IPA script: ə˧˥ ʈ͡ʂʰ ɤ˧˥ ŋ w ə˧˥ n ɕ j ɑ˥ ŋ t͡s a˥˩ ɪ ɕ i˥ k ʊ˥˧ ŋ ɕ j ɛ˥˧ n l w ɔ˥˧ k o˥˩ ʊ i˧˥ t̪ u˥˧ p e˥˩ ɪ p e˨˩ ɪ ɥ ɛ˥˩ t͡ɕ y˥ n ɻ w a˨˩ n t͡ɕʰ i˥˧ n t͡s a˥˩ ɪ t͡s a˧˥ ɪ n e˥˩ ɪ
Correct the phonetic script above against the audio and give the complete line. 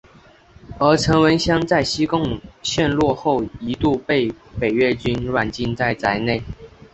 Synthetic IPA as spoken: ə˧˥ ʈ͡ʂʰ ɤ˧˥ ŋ w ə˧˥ n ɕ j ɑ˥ ŋ t͡s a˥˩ ɪ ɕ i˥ k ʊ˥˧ ŋ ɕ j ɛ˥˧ n l w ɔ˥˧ x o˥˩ ʊ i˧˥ t̪ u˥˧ p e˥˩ ɪ p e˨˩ ɪ ɥ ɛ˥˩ t͡ɕ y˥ n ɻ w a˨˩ n t͡ɕ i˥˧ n t͡s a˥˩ ɪ t͡s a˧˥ ɪ n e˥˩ ɪ